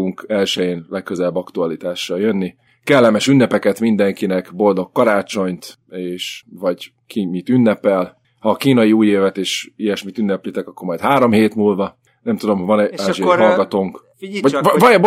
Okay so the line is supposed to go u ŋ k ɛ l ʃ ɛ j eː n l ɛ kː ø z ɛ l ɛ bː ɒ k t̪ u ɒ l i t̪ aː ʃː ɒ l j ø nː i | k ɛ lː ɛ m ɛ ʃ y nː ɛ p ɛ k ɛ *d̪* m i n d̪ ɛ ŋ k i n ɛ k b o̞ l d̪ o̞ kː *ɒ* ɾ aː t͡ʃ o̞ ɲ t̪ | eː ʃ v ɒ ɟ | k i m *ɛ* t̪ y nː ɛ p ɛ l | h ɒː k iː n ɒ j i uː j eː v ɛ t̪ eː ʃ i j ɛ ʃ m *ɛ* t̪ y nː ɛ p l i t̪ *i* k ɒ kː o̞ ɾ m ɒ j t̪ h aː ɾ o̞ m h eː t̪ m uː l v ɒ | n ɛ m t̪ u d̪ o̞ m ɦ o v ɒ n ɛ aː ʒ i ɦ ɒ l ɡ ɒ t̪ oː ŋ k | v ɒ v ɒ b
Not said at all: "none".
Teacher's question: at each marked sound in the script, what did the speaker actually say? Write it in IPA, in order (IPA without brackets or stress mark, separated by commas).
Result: t̪, ɒ, i, i, ɛ